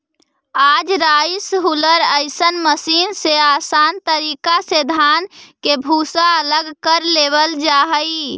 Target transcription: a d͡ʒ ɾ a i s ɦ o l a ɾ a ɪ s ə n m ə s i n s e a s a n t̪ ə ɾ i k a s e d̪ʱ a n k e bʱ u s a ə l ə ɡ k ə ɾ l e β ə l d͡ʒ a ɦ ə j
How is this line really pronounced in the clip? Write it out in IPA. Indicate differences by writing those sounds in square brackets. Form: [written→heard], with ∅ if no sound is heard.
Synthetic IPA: a d͡ʒ ɾ a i s ɦ [o→u] l [a→ə] ɾ [a→ə] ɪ s ə n m ə s i n s e a s a n t̪ ə ɾ i k a s e d̪ʱ a n k e bʱ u s a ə l ə ɡ k ə ɾ l e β ə l d͡ʒ a ɦ ə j